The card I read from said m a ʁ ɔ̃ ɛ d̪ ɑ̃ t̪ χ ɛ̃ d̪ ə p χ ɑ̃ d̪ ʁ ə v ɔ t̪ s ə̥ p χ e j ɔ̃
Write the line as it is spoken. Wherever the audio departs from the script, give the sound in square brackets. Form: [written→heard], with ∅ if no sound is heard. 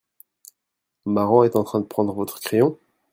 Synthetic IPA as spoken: m a ʁ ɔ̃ ɛ [d̪→t̪] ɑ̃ t̪ χ ɛ̃ d̪ ə p χ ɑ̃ d̪ ʁ ə v ɔ t̪ [s→χ] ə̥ [p→k] χ e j ɔ̃